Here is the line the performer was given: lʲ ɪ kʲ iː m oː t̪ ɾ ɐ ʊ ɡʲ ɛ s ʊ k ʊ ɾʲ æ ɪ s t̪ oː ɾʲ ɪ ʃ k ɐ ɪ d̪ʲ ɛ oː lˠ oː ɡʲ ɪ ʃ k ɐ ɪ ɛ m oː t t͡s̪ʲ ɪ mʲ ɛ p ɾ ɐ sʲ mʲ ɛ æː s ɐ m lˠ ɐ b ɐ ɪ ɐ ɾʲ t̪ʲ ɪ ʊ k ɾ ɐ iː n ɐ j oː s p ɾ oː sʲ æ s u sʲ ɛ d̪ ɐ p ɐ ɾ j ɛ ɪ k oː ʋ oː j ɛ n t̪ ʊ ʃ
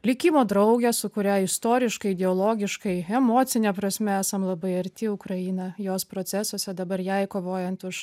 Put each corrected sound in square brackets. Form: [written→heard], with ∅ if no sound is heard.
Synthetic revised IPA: lʲ ɪ kʲ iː m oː [t̪→d̪] ɾ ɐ ʊ ɡʲ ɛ s ʊ k ʊ ɾʲ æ ɪ s t̪ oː ɾʲ ɪ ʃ k ɐ ɪ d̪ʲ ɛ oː lˠ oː ɡʲ ɪ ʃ k ɐ ɪ ɛ m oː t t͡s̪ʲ ɪ [mʲ→nʲ] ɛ p ɾ ɐ sʲ mʲ ɛ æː s ɐ m lˠ ɐ b ɐ ɪ ɐ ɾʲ t̪ʲ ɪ ʊ k ɾ ɐ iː n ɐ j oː s p ɾ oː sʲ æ s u sʲ ɛ d̪ ɐ [p→b] ɐ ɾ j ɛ ɪ k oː ʋ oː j ɛ n t̪ ʊ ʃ